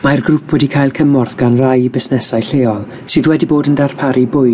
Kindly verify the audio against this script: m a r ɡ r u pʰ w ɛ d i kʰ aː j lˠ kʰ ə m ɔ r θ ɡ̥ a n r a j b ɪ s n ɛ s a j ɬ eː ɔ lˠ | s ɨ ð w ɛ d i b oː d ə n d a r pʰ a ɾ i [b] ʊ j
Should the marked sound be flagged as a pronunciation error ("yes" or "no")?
no